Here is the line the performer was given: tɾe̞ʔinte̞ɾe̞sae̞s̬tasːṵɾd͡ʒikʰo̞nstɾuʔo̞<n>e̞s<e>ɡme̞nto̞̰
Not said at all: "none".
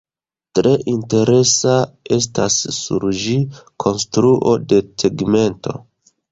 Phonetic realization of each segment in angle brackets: d, e

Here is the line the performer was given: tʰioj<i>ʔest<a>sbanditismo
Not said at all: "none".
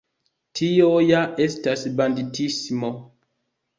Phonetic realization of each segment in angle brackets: a, a

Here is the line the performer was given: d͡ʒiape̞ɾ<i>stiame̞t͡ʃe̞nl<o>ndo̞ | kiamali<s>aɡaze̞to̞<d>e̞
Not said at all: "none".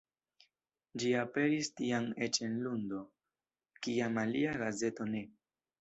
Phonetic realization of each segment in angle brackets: i, u, none, n

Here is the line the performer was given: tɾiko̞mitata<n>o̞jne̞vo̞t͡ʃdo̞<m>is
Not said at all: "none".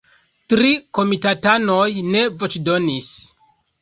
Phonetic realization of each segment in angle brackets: n, n

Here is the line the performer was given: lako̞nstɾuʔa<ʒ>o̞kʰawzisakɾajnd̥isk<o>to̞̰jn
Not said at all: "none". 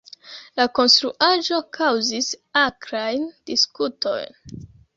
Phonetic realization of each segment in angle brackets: ʒ, u

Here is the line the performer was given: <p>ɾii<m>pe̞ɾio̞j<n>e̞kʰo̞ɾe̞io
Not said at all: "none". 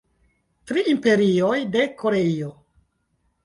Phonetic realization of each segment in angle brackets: t, m, d

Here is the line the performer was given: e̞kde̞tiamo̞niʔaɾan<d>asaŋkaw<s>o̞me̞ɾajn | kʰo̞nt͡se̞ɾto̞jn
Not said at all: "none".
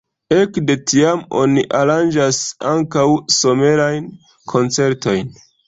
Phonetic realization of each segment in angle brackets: d͡ʒ, s

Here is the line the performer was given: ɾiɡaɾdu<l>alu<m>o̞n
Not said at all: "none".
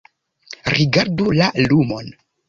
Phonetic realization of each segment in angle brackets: l, m

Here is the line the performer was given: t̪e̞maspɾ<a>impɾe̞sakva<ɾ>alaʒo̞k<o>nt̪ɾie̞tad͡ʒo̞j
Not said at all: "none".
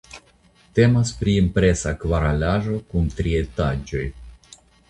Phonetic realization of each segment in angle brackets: i, ɾ, u

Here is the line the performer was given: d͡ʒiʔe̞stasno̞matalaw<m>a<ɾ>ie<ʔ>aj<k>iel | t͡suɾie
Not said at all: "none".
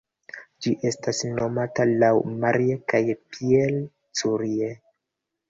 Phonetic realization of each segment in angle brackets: m, ɾ, k, p

